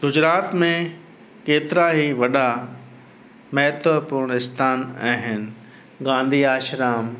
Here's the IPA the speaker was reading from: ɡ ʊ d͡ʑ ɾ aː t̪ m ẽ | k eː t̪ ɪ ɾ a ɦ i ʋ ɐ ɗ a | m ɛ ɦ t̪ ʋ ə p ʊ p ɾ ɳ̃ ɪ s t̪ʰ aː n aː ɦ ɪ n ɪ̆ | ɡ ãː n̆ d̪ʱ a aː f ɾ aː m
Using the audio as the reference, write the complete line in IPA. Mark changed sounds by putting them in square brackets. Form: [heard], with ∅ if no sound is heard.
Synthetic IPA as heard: ɡ ʊ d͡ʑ ɾ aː t̪ m ẽ | k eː t̪ ɪ ɾ a ɦ i ʋ ɐ ɗ a | m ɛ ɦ t̪ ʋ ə p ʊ [∅] ɾ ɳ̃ ɪ s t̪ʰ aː n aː ɦ ɪ n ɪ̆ | ɡ ãː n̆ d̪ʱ [i] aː [ʃ] ɾ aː m